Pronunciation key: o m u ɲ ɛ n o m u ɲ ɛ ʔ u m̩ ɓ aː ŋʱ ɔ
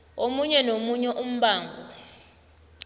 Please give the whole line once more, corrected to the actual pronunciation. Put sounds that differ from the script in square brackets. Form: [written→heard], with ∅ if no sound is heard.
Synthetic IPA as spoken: o m u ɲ ɛ n o m u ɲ ɛ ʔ u m̩ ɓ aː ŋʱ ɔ